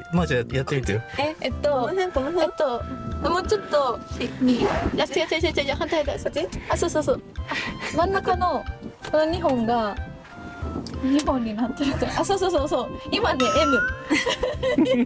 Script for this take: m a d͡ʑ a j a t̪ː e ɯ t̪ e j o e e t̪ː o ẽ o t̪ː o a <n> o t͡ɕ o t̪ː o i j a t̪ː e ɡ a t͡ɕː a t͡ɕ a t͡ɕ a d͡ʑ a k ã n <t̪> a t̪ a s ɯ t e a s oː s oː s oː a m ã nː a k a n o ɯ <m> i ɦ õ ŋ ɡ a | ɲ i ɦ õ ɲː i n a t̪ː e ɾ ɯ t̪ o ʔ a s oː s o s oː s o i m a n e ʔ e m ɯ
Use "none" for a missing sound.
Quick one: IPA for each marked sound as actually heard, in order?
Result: m, t̪, ɲ

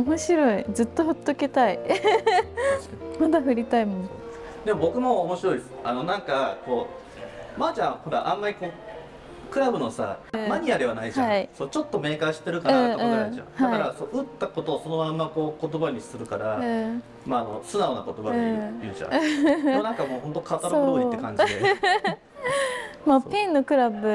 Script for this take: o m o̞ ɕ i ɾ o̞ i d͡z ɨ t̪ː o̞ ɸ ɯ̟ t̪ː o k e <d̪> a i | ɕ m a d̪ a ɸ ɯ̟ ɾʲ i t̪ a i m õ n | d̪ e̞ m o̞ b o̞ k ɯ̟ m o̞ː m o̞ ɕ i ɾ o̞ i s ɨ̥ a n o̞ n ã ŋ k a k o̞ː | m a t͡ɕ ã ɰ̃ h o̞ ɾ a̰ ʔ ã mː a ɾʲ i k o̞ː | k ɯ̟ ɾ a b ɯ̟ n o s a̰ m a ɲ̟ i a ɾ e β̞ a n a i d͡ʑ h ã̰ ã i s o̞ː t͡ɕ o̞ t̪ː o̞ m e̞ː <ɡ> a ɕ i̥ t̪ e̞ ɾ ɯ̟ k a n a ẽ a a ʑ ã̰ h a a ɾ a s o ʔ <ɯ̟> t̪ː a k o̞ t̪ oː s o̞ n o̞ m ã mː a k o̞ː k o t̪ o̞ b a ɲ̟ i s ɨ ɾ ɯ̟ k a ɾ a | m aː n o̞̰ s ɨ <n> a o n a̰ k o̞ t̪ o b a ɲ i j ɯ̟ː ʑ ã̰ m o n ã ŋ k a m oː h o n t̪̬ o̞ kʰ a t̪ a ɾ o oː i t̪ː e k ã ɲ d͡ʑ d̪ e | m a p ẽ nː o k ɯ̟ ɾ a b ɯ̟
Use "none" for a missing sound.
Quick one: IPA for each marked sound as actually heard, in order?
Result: t̪, k, ɯ̟, n

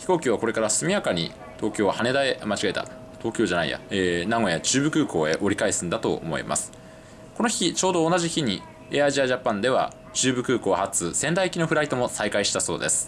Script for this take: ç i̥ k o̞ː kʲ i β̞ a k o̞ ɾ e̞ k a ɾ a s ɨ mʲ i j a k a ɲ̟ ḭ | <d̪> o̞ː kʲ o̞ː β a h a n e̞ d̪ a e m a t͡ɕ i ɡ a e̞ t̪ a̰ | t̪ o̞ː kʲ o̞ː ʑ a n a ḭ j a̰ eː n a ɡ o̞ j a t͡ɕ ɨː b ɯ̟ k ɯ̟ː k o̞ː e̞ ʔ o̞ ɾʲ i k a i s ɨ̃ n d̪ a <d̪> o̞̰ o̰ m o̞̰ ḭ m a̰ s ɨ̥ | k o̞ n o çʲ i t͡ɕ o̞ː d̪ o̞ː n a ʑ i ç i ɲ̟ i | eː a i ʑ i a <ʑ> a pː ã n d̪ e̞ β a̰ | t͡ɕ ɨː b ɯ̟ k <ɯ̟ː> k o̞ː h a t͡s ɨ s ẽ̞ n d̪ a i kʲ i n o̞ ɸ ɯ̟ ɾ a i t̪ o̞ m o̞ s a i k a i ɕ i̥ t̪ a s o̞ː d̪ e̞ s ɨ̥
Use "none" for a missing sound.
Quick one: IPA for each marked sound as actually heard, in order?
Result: t̪, t̪, ʑ, ɯ̟ː

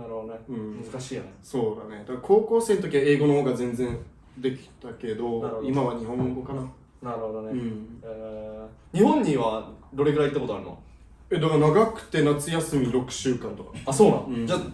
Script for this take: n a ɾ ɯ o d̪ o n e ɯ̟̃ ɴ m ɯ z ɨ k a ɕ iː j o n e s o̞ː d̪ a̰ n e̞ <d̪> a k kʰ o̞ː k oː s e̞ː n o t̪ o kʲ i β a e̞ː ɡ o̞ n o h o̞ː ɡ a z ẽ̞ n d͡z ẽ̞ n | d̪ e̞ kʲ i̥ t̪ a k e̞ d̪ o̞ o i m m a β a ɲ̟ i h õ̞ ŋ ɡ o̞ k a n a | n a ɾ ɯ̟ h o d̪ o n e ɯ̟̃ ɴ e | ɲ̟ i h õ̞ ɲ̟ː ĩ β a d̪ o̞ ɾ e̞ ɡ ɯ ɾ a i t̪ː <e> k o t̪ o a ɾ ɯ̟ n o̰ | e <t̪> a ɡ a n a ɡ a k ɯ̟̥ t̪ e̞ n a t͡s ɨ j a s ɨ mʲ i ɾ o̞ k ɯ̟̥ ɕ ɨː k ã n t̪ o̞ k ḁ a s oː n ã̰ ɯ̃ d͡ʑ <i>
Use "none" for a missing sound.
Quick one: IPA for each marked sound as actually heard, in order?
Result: d̪, a, d̪, a

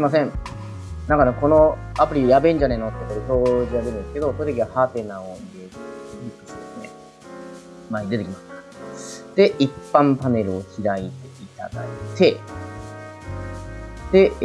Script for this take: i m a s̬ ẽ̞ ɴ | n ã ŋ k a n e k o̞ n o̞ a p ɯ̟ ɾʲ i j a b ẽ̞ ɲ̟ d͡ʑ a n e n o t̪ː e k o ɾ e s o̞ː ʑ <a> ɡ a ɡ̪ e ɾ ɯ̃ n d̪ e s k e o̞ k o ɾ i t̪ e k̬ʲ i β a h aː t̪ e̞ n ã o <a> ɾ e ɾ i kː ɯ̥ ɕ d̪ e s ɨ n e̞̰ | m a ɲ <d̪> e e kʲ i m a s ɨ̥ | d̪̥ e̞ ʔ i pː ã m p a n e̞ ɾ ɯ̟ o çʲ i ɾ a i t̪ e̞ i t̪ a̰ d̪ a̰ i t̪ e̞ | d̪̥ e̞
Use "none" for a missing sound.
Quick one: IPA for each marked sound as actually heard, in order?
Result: i, i, d̪

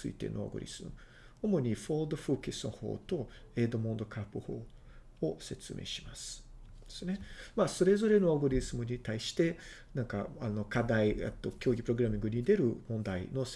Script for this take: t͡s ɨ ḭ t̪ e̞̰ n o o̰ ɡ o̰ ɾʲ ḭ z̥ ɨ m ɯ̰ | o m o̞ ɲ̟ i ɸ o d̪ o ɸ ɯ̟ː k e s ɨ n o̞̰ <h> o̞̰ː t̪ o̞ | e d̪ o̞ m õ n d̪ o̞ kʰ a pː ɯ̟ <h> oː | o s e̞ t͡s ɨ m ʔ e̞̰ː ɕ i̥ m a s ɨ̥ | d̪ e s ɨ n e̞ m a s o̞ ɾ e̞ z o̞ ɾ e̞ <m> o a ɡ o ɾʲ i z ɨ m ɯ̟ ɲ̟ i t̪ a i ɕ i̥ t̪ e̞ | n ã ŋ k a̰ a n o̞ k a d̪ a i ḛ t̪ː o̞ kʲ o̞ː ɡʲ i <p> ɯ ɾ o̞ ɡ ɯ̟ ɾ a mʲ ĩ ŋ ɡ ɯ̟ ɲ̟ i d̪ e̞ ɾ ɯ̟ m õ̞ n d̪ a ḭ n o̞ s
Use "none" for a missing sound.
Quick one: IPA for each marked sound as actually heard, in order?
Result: h, h, n, p

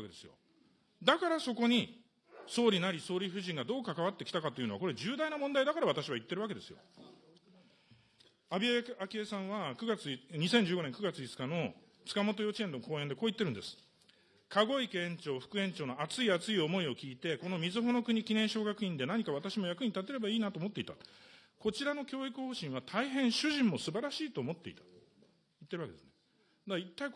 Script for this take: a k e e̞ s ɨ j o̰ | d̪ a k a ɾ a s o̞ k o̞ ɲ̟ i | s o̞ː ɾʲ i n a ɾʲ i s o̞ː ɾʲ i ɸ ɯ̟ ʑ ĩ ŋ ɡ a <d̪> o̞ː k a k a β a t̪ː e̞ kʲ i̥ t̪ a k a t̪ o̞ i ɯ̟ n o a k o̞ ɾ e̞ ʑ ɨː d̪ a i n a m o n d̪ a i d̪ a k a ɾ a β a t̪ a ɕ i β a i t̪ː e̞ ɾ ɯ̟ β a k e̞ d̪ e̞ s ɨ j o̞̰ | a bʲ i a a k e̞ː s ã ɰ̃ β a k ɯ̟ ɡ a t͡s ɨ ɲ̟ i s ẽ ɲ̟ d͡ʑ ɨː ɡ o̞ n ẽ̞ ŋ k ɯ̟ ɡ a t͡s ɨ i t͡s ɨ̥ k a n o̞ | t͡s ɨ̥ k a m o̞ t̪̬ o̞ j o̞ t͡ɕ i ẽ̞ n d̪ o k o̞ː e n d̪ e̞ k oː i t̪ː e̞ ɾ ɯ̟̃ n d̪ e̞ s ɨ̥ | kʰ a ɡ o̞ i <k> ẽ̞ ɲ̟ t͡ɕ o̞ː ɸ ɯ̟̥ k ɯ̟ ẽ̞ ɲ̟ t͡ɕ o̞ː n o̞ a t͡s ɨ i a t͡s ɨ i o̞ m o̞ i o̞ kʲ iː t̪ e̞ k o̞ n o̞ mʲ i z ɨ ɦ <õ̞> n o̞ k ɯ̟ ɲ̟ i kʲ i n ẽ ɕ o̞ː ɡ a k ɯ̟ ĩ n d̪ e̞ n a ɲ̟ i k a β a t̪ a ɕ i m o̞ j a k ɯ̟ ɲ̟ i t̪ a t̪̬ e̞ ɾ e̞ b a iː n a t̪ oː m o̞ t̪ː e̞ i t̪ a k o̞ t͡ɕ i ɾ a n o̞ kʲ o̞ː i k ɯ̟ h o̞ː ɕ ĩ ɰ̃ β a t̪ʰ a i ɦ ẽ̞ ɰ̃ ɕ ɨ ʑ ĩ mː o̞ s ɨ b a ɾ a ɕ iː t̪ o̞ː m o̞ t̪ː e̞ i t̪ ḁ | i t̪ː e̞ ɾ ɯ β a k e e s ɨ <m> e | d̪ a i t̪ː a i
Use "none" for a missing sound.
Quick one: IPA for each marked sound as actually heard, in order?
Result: d̪, k, o̞, n

